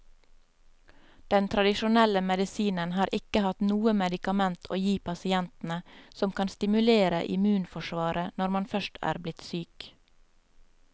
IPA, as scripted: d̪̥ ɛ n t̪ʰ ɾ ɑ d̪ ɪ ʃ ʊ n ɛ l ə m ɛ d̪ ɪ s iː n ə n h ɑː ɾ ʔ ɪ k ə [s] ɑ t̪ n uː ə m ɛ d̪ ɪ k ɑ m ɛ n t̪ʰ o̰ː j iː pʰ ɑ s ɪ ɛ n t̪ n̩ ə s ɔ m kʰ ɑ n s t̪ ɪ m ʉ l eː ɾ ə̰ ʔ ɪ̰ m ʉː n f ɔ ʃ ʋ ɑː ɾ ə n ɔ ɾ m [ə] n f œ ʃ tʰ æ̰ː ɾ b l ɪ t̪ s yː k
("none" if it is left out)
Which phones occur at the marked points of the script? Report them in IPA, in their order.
h, ɑ

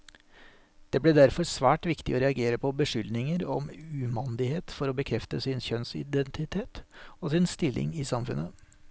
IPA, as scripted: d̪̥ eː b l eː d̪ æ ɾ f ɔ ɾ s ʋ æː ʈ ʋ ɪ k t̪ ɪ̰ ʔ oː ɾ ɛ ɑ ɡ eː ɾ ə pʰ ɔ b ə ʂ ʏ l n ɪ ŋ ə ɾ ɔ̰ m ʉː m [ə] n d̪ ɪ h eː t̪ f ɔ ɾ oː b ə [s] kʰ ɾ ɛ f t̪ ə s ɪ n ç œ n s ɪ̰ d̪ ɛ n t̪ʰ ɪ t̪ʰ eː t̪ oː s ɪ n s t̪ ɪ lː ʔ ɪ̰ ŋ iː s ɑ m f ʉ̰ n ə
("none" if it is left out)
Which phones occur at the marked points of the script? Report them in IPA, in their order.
ɑ, none

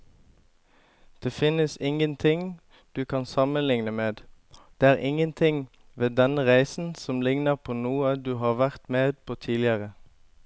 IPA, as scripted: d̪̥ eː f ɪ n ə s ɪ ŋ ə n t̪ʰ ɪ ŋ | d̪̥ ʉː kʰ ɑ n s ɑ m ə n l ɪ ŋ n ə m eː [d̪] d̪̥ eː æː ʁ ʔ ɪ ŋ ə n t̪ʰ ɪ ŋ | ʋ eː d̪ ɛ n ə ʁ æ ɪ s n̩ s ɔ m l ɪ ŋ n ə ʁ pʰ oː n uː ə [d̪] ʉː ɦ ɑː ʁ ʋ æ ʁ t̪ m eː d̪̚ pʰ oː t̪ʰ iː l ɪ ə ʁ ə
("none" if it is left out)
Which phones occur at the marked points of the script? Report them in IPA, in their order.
d̪, d̪

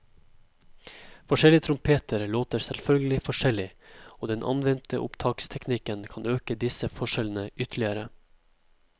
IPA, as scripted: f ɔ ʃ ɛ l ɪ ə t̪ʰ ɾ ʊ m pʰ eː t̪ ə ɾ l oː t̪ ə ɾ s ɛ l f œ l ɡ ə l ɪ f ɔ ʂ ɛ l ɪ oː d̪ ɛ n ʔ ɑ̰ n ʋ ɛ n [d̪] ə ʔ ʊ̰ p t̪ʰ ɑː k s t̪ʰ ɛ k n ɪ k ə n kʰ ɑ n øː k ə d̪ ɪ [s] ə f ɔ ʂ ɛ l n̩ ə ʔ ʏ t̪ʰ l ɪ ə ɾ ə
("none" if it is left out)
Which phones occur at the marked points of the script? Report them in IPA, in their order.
t̪, s

